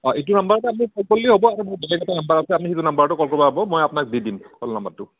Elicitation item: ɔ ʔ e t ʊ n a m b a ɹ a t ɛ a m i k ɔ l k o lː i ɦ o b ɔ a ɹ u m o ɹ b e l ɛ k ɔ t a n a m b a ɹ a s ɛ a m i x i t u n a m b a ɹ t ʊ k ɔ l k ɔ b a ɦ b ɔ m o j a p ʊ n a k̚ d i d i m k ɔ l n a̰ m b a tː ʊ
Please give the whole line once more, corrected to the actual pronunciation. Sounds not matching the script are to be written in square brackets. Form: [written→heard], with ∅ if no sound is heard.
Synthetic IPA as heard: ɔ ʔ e t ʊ n a m b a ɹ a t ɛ a m i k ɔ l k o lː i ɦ o b ɔ a ɹ u m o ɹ b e l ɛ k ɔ t a n a m b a ɹ a s ɛ a m i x i t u n a m b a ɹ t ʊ k ɔ l k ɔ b a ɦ b ɔ m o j a p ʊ n a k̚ d i d i m k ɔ l n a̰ m b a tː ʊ